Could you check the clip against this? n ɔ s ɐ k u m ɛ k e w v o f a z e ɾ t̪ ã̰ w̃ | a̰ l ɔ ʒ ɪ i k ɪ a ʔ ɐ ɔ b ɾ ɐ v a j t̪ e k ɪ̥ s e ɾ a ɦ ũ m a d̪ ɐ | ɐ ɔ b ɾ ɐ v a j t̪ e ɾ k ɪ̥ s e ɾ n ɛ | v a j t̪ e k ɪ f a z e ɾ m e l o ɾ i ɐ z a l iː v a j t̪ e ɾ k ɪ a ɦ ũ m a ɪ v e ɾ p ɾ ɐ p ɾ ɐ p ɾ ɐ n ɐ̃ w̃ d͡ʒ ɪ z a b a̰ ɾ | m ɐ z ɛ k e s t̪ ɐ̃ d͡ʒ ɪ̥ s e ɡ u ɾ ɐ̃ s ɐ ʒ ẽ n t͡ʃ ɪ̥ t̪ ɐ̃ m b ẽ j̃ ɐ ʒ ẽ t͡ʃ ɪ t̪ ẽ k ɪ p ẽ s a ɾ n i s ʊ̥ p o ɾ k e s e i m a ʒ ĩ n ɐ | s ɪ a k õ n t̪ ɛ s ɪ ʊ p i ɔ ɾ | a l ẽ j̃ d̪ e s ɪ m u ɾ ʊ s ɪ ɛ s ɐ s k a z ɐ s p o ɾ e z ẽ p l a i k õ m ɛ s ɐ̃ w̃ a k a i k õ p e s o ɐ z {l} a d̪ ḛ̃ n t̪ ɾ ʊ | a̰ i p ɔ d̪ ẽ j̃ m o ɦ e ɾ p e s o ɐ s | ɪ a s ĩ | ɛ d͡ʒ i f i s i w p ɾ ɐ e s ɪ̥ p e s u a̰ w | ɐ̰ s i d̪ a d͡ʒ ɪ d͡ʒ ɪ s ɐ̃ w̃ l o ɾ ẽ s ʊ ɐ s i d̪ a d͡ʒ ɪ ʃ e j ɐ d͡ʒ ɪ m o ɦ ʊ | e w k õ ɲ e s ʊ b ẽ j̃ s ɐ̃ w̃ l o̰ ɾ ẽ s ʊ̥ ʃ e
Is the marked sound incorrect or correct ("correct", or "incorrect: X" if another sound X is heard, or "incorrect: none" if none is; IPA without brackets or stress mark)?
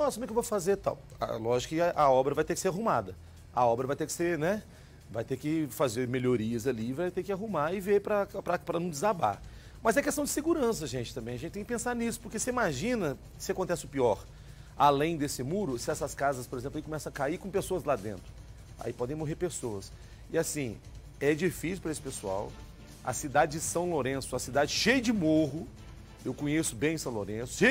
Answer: correct